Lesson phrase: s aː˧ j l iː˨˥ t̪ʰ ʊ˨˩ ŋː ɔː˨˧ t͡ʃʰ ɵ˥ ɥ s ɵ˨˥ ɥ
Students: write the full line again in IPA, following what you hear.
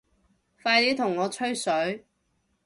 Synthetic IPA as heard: f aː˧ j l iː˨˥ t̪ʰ ʊ˨˩ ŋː ɔː˨˧ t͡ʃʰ ɵ˥ ɥ s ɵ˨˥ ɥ